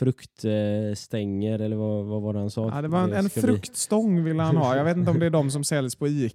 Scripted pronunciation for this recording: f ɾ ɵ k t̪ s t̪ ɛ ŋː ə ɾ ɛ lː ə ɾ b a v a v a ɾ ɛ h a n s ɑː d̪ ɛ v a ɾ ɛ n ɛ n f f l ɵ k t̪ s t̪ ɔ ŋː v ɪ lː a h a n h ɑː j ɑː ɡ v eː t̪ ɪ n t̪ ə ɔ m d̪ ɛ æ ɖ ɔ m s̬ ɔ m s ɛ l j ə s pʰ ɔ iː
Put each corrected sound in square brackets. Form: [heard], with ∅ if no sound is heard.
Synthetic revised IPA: f ɾ ɵ k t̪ s t̪ ɛ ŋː ə ɾ ɛ lː ə ɾ [v] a v a v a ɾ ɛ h a n s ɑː d̪ ɛ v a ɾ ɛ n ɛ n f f [ɾ] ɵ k t̪ s t̪ ɔ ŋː v ɪ lː [ə] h a n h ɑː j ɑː ɡ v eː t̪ ɪ n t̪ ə ɔ m d̪ ɛ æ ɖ ɔ m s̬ ɔ m s ɛ l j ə s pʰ ɔ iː